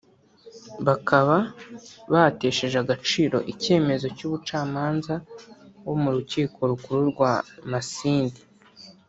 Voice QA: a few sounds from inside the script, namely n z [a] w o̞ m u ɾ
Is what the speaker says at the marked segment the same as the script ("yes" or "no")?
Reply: yes